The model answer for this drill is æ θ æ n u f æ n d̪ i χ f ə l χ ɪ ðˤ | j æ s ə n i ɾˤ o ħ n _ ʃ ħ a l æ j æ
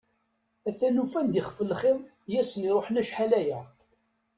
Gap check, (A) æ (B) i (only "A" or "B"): A